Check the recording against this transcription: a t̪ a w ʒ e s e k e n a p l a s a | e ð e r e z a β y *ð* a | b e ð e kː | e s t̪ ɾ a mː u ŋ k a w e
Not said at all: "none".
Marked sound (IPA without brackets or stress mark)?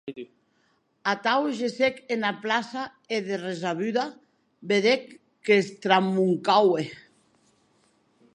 ð